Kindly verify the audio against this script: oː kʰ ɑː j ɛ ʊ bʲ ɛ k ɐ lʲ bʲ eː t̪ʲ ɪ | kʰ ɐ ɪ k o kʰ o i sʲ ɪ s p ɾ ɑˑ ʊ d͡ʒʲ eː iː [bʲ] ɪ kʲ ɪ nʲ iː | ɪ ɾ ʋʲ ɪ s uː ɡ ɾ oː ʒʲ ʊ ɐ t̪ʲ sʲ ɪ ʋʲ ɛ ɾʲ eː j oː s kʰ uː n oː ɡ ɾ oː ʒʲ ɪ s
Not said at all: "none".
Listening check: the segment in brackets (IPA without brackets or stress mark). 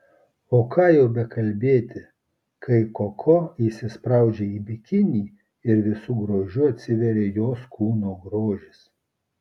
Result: bʲ